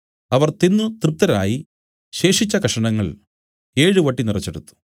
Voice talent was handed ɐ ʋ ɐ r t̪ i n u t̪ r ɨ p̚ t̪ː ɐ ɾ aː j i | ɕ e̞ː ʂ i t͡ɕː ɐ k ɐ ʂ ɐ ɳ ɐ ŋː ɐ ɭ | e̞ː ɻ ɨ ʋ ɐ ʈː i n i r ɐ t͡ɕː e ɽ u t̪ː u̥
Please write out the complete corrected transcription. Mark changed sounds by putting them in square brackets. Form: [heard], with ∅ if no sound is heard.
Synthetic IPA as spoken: ɐ ʋ ɐ r t̪ i [nː] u t̪ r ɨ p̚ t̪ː ɐ ɾ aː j i | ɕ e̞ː ʂ i t͡ɕː ɐ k ɐ ʂ ɐ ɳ ɐ ŋː ɐ ɭ | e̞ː ɻ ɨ ʋ ɐ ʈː i n i r ɐ t͡ɕː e ɽ u t̪ː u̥